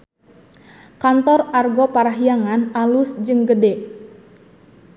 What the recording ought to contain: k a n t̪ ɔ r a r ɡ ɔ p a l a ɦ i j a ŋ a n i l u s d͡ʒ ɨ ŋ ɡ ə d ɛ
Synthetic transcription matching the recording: k a n t̪ ɔ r a r ɡ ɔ p a ɾ a ɦ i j a ŋ a n a l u s d͡ʒ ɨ ŋ ɡ ə d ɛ